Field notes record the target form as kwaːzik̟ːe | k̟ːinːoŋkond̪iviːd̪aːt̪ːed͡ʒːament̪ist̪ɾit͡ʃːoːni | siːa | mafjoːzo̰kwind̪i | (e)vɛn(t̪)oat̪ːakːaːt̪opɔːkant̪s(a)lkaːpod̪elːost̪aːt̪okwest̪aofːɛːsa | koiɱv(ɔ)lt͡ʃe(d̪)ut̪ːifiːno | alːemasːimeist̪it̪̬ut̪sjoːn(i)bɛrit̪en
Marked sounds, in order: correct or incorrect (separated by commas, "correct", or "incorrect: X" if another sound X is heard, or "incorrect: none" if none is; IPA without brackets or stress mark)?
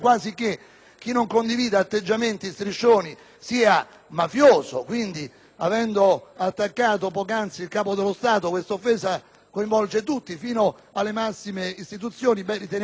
incorrect: a, incorrect: d̪, incorrect: i, correct, incorrect: t̪, correct